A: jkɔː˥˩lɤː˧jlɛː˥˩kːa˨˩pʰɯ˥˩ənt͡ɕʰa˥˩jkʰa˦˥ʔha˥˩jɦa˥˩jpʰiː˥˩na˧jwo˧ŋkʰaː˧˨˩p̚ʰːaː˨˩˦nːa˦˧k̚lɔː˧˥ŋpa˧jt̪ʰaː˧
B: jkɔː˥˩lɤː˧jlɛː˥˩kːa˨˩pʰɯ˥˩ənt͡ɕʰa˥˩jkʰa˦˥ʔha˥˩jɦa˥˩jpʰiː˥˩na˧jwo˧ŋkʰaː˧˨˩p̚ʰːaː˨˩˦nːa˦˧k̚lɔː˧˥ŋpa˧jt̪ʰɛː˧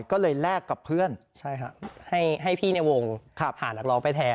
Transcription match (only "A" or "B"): B